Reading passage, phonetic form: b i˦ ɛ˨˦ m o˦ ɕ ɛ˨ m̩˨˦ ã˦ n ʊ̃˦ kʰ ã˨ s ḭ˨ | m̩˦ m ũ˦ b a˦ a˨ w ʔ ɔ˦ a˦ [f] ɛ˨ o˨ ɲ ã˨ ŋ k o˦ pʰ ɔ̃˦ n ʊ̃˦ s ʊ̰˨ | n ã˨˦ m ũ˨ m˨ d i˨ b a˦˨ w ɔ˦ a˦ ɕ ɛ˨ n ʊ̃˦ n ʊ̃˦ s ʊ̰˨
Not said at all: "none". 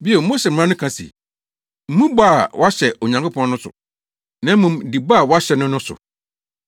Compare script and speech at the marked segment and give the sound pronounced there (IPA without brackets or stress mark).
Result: ɕ